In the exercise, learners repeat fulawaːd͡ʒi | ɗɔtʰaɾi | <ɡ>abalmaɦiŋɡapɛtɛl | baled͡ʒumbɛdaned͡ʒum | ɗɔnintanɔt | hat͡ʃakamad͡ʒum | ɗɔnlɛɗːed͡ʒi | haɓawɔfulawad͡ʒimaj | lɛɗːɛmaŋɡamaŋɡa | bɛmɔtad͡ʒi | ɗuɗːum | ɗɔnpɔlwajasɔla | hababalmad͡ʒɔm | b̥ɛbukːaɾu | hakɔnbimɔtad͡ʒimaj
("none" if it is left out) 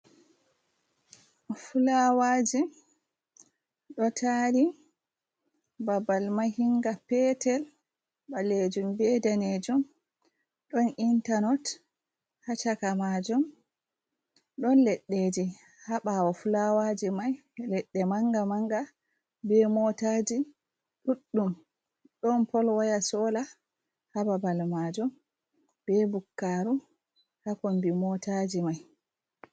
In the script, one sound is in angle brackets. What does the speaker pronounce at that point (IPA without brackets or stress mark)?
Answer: b